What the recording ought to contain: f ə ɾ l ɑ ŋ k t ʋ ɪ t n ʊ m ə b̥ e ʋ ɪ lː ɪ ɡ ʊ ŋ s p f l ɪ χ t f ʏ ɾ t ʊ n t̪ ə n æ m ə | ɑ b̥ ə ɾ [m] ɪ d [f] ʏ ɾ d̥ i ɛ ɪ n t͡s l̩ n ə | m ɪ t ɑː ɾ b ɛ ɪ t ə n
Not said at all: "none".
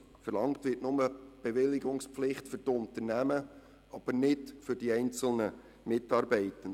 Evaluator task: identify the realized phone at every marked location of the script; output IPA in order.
n, f

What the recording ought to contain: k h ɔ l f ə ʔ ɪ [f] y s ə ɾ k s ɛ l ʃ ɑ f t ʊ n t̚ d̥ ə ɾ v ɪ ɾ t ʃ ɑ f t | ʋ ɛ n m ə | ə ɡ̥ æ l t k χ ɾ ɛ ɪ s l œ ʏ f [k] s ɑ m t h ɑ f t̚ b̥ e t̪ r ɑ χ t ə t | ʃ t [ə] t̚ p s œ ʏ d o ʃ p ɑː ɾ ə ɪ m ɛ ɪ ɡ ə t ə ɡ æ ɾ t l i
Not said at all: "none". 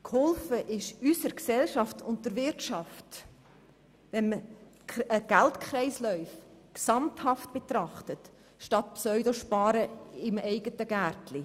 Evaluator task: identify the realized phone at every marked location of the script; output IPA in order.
ʃ, k, ɑ

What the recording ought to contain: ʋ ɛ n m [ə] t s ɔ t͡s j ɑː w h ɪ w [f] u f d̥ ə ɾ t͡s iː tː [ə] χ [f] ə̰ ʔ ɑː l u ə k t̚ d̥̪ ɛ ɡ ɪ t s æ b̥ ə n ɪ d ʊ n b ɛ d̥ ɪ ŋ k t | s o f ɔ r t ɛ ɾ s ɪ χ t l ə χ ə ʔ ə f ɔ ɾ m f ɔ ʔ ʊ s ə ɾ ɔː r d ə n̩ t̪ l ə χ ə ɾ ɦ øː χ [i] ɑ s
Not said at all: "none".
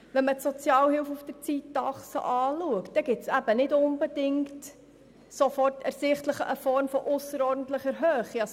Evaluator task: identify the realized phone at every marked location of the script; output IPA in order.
ə, f, ɑ, s, i

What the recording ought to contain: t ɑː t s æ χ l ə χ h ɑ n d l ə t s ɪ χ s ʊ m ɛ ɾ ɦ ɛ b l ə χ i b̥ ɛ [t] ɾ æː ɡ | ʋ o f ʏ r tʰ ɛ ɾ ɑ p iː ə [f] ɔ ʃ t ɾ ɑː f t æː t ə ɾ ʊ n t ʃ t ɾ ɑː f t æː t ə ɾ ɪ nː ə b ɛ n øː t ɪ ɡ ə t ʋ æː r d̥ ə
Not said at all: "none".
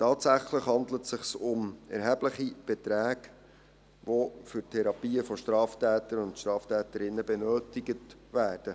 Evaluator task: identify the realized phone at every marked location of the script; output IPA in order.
t, f

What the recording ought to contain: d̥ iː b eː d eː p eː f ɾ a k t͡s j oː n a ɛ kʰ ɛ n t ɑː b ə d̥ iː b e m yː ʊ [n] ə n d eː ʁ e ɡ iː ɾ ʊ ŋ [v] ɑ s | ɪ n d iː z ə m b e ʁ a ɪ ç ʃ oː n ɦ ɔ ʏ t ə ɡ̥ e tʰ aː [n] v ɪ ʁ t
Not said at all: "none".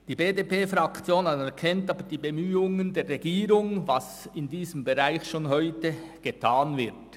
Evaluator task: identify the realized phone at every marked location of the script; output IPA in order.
ŋ, v, n

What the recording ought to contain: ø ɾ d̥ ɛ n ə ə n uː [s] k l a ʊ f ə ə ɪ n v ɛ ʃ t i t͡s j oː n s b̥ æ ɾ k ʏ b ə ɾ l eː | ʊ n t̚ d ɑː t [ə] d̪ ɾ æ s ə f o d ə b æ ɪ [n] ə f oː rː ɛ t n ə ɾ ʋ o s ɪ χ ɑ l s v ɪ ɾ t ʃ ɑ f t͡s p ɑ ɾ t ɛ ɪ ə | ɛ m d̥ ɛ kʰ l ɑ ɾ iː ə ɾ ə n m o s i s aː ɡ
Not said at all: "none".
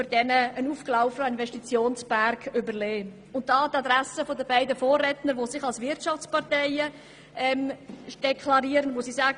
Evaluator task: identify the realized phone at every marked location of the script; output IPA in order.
f, ɑ, d

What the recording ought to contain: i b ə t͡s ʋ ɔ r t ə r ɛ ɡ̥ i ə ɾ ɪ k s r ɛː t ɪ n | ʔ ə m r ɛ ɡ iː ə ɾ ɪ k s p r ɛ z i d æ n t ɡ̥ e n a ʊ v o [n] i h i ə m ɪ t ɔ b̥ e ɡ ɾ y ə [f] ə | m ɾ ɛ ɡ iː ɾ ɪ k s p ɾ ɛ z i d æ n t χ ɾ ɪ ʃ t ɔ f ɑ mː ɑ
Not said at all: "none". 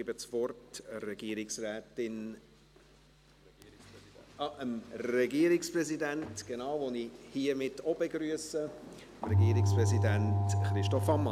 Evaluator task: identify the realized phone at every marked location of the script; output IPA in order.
n, s

